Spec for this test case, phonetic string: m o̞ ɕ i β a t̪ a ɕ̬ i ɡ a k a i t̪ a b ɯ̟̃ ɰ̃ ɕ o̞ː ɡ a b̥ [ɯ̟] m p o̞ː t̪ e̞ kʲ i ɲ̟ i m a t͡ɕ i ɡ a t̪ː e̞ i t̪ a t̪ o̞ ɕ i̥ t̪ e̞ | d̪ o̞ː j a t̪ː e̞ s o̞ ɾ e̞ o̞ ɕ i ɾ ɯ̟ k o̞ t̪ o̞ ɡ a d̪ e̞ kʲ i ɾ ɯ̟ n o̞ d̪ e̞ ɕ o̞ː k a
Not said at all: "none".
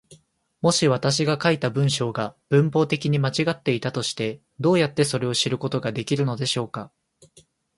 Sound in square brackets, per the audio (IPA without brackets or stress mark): ɯ̟̃